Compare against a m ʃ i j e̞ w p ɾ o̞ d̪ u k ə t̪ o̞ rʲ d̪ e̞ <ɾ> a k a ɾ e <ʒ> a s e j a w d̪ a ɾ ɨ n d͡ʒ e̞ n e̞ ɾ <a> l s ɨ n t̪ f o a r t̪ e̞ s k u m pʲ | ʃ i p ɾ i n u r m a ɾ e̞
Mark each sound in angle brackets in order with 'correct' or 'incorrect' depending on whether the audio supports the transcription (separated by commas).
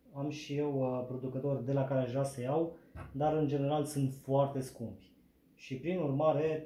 incorrect, correct, correct